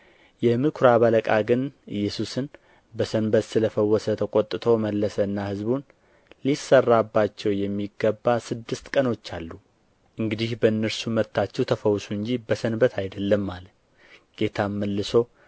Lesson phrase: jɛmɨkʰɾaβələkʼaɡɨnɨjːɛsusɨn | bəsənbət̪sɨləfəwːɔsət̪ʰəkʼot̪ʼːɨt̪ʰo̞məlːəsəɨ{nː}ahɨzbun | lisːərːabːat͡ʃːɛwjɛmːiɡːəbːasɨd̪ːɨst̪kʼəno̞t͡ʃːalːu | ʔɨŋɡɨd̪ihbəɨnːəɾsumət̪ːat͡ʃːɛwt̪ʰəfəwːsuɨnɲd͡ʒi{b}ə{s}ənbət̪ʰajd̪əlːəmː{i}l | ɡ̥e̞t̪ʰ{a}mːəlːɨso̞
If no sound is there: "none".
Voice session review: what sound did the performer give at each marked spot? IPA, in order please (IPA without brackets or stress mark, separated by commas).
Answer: nː, b, s, a, a